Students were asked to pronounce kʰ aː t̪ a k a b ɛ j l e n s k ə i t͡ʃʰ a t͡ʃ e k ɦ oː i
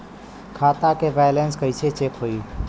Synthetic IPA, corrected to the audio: kʰ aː t̪ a k e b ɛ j l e n s k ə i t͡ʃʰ e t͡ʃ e k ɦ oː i